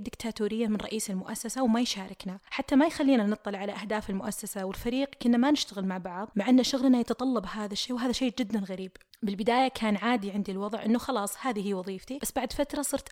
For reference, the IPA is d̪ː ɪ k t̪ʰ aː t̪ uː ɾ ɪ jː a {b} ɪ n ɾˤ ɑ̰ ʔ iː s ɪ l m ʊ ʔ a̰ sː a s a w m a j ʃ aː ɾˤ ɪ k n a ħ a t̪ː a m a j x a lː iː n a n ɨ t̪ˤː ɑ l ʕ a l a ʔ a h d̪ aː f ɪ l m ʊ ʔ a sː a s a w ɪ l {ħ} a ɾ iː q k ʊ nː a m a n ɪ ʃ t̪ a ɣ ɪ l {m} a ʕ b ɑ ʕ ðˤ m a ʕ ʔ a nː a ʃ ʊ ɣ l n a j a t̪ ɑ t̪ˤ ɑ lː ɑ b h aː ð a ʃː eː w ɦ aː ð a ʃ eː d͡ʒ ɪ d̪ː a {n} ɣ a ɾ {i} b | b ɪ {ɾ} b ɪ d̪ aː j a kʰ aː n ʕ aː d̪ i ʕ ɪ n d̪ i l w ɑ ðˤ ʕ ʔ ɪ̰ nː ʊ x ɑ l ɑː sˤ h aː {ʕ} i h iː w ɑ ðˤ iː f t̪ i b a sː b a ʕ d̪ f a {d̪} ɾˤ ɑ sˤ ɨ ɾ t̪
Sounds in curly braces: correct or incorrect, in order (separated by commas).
incorrect, incorrect, correct, correct, incorrect, incorrect, incorrect, incorrect